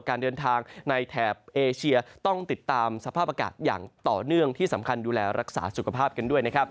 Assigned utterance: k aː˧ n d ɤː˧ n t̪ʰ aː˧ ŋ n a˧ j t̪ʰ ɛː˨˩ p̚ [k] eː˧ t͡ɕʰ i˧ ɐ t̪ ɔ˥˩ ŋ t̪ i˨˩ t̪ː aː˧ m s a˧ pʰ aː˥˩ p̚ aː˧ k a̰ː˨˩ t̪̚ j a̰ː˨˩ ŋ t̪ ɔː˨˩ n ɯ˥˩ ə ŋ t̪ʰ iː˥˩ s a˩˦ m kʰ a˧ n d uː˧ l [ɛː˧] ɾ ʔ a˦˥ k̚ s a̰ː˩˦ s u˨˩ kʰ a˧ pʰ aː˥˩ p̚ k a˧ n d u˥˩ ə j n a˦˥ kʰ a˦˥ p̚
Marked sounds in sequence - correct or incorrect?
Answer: incorrect: ʔ, correct

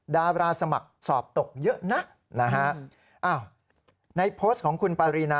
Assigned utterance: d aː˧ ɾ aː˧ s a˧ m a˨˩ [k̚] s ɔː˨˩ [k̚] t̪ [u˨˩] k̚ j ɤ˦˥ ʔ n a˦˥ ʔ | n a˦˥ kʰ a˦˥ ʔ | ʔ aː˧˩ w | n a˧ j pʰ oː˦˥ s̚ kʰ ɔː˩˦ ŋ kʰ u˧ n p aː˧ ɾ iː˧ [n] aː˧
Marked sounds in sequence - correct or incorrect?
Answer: correct, incorrect: p̚, incorrect: o˨˩, correct

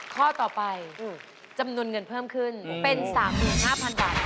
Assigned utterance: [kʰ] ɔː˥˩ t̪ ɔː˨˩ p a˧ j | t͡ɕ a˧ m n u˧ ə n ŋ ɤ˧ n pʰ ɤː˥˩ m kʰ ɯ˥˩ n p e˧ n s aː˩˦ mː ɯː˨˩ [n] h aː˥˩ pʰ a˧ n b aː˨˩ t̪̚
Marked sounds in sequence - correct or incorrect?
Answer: correct, correct

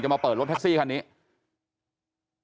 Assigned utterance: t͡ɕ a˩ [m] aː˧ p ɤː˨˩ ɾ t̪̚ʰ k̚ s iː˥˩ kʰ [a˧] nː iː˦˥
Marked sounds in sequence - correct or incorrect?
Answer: correct, correct

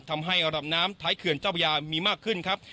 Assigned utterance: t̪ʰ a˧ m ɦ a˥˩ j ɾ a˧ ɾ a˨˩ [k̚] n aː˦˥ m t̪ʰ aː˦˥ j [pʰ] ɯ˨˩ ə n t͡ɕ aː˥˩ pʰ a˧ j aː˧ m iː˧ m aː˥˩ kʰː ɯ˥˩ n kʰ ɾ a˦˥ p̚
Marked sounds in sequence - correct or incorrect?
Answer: incorrect: p̚, incorrect: kʰ

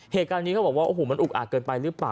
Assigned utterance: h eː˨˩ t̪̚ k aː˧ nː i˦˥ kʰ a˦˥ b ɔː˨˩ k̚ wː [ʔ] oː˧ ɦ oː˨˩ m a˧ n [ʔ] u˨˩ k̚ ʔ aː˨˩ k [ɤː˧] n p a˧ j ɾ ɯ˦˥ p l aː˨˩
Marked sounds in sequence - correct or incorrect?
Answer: correct, correct, correct

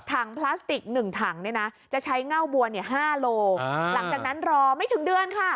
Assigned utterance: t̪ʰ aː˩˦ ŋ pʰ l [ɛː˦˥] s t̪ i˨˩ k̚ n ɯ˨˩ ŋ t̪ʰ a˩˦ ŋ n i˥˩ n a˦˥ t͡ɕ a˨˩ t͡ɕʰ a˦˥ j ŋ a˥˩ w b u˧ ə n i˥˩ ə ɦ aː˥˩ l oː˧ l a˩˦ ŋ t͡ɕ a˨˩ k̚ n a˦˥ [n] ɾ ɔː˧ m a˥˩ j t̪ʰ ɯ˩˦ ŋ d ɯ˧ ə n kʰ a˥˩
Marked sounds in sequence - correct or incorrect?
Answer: incorrect: aː˦˥, correct

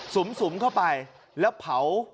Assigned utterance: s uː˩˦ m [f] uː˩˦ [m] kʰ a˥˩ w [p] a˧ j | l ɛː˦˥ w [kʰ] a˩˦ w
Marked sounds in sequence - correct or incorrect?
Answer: incorrect: s, correct, correct, incorrect: pʰ

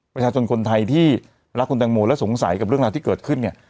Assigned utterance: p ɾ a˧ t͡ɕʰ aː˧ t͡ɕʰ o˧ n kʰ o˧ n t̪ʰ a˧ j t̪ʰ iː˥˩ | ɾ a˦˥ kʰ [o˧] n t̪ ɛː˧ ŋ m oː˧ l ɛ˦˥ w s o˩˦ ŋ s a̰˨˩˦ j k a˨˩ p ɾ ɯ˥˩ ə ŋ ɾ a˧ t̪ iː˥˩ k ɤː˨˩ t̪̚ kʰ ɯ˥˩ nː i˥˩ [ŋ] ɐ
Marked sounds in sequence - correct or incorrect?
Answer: incorrect: u˧, incorrect: none

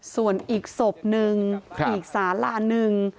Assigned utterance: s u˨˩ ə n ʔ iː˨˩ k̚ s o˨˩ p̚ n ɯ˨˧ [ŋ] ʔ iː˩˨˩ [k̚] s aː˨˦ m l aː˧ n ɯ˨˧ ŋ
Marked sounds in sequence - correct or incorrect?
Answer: correct, correct

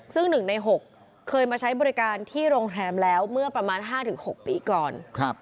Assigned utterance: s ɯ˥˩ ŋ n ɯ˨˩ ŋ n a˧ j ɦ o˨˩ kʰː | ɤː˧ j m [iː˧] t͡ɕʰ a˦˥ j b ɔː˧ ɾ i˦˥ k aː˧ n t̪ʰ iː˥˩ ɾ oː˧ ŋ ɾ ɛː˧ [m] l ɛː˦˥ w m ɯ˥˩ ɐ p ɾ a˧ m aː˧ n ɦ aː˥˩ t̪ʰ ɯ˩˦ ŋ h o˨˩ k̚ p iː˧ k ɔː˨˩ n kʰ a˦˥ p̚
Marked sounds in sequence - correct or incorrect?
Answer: incorrect: aː˧, correct

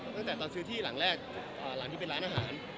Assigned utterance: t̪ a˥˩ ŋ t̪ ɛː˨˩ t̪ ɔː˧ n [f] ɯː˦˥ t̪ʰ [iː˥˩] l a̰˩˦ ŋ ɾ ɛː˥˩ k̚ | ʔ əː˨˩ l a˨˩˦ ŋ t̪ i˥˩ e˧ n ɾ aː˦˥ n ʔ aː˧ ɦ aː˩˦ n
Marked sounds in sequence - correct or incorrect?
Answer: incorrect: s, correct

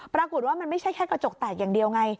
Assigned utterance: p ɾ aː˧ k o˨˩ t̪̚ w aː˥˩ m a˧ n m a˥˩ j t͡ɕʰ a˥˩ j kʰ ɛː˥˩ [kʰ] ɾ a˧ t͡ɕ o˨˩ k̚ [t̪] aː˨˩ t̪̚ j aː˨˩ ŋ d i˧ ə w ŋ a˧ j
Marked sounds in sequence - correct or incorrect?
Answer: incorrect: k, correct

